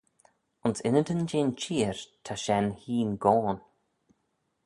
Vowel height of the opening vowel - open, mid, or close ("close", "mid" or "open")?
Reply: close